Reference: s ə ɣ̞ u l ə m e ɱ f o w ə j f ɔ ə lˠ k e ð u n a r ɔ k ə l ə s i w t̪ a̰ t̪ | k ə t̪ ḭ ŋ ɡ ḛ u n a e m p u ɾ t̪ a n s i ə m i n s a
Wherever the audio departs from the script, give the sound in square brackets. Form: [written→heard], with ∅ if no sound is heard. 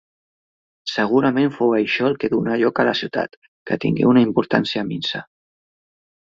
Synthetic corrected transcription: s ə ɣ̞ u [l→ɾ] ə m e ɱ f o w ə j [f→ʃ] ɔ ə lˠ k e ð u n a [r→ʎ] ɔ k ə l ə s i w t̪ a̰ t̪ | k ə t̪ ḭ ŋ ɡ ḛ u n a [e→i] m p u ɾ t̪ a n s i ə m i n s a